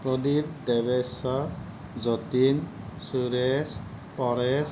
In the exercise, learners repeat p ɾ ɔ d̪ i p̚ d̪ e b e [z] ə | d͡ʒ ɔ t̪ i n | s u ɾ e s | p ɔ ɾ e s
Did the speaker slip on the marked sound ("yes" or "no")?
yes